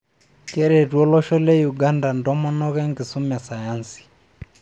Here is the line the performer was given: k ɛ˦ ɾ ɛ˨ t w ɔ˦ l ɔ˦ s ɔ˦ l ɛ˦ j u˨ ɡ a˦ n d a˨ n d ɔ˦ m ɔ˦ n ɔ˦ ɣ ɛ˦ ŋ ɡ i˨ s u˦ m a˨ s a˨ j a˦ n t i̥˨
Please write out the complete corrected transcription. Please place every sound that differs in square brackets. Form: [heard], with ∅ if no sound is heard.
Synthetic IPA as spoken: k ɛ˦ ɾ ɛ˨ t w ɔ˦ l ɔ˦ [ʃ] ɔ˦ l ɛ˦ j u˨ ɡ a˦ n d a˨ n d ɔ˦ m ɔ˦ n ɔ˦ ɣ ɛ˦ ŋ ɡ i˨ s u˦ m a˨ s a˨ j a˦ n [s] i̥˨